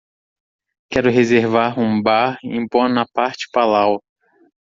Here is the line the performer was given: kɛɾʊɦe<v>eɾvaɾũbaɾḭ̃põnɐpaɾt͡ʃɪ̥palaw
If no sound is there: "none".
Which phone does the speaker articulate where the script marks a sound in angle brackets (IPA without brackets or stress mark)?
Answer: z